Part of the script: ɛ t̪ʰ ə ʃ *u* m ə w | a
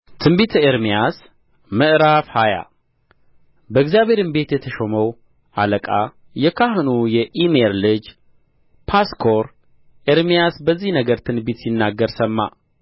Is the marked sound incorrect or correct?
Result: incorrect